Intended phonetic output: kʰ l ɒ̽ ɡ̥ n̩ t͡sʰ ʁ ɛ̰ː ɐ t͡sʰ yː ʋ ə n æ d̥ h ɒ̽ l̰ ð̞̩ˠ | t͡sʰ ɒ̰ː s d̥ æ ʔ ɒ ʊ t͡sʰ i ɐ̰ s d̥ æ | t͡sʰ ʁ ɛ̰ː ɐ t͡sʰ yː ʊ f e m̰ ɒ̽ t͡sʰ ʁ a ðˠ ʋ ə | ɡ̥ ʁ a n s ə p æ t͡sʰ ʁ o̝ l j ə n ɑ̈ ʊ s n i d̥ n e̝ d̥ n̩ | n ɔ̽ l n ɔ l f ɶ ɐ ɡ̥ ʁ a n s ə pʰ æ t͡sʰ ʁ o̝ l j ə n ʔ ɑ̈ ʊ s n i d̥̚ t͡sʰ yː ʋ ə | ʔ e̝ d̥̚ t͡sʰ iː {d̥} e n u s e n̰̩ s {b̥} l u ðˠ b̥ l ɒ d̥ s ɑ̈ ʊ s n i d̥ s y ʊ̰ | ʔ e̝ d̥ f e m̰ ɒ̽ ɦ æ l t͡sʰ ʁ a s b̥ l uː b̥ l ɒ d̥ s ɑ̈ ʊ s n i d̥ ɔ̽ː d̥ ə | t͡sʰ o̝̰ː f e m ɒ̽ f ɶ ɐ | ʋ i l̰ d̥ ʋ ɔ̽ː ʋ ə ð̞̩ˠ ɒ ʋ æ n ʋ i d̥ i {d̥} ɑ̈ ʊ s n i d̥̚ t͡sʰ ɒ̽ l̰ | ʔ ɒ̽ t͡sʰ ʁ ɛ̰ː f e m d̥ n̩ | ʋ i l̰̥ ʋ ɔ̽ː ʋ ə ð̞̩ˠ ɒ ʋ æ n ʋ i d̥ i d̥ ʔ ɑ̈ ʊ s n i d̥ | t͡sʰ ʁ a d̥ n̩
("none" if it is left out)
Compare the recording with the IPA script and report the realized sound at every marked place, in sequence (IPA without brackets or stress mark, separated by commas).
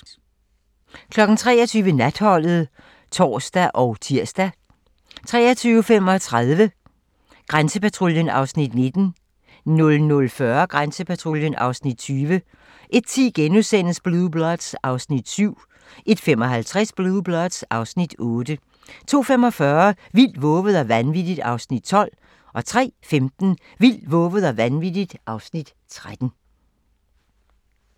ɡ̥, b̥, d̥